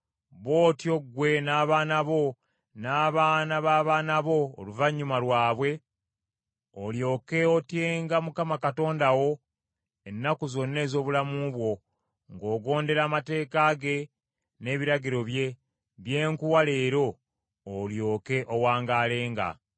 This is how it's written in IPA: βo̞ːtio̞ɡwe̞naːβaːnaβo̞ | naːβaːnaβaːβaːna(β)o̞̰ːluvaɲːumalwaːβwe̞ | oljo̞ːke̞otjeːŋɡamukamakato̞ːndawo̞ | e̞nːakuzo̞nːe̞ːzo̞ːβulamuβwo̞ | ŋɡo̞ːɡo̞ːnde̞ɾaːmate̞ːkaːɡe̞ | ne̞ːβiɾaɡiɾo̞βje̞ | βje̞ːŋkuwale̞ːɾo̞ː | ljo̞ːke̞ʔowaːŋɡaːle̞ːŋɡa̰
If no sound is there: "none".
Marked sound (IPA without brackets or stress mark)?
β